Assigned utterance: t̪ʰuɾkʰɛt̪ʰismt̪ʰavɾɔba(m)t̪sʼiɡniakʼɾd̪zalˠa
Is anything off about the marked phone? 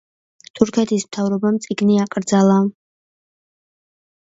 no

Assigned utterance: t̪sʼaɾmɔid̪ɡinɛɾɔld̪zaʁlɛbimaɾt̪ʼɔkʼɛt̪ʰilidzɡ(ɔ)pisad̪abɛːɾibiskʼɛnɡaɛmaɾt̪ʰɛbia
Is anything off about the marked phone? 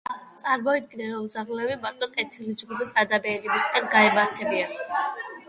yes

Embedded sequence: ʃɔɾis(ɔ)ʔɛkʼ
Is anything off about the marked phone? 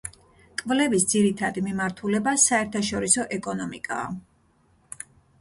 no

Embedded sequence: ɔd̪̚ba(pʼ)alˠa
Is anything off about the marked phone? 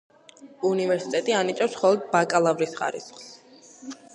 yes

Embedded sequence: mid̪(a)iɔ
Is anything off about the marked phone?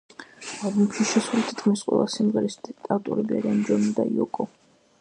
no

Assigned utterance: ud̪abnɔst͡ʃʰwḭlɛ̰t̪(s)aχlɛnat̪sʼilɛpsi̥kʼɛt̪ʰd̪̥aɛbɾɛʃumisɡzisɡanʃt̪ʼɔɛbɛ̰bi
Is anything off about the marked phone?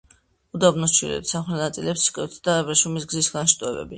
no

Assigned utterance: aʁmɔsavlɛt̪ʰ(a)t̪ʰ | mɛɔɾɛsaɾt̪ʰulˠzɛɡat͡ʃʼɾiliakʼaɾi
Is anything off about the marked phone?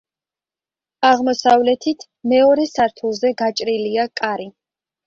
yes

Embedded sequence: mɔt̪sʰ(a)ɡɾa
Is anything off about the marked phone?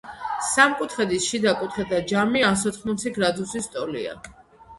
yes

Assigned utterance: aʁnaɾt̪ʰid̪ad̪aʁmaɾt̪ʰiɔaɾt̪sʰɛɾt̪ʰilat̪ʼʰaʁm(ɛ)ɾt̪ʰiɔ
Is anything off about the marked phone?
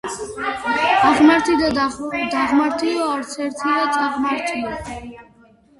yes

